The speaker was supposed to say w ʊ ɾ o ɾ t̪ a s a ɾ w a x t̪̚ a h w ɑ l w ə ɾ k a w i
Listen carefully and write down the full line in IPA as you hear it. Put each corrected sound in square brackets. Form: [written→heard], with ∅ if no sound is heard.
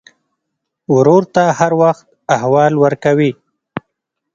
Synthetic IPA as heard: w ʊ ɾ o ɾ t̪ a [s→h] a ɾ w a x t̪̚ a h w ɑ l w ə ɾ k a w i